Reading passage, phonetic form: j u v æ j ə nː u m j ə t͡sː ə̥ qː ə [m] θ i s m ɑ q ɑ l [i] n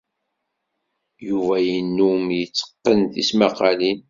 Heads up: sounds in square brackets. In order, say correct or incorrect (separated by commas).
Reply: incorrect, correct